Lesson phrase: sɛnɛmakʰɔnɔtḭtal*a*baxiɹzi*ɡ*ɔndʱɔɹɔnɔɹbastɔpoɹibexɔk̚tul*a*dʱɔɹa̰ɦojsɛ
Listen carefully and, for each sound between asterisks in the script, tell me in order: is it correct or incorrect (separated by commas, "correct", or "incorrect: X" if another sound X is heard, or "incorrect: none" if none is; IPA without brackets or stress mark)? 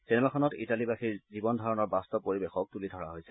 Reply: incorrect: i, incorrect: b, incorrect: i